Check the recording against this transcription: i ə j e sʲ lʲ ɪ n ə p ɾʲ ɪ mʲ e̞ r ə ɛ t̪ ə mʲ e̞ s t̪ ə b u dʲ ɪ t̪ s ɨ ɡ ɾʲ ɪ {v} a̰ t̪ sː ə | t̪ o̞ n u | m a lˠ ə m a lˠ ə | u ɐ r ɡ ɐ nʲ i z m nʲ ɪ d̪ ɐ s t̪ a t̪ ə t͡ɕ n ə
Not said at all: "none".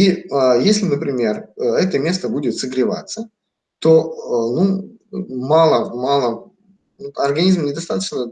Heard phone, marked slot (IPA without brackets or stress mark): v